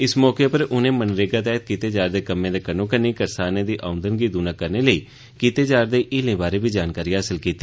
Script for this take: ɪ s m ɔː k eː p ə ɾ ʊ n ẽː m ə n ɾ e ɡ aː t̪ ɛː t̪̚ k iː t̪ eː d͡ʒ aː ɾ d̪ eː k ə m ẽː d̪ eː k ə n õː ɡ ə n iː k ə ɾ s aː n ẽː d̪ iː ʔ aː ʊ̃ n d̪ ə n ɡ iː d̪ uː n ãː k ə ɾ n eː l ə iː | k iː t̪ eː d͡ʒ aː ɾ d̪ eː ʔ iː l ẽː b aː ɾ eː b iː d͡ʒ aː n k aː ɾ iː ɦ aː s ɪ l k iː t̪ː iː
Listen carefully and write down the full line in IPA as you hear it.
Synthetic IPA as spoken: ɪ s m ɔː k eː p ə ɾ ʊ n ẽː m ə n ɾ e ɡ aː t̪ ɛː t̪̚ k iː t̪ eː d͡ʒ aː ɾ d̪ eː k ə m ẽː d̪ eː k ə n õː k ə n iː k ə ɾ s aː n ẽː d̪ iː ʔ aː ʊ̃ n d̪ ə n ɡ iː d̪ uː n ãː k ə ɾ n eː l ə iː | k iː t̪ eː d͡ʒ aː ɾ d̪ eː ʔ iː l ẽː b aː ɾ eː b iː d͡ʒ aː n k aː ɾ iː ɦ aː s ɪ l k iː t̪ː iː